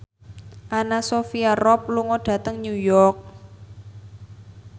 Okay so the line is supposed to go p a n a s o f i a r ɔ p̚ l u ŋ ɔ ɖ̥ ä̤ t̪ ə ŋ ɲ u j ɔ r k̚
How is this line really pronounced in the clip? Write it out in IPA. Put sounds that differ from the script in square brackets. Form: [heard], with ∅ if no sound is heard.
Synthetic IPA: [ʔ] a n a s o f i a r ɔ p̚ l u ŋ ɔ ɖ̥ ä̤ t̪ ə ŋ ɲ u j ɔ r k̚